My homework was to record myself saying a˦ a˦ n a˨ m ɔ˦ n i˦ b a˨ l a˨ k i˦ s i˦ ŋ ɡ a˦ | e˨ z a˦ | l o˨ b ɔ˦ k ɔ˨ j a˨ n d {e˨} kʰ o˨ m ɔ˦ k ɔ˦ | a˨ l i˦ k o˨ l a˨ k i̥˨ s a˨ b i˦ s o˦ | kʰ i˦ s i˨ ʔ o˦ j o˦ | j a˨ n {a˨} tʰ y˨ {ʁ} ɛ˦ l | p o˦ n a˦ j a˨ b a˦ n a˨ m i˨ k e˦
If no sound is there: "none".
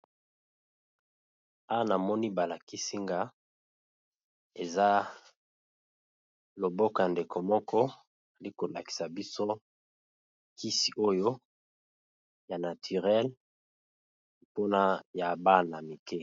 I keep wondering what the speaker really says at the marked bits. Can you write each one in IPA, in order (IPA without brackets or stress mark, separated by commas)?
e˨, a˨, ʁ